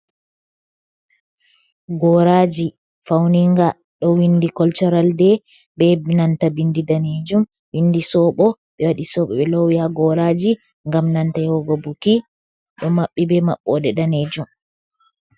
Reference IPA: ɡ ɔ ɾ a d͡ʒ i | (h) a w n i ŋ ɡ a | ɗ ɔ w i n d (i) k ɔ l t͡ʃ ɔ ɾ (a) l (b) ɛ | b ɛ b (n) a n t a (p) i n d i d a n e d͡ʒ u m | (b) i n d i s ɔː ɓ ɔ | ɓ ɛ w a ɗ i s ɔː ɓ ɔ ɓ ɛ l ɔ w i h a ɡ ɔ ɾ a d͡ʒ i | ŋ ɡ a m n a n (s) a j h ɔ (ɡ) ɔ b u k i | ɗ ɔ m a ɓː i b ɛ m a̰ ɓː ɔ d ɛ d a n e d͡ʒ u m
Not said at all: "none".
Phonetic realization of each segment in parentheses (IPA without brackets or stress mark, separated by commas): f, i, a, d, n, b, w, t, ɡ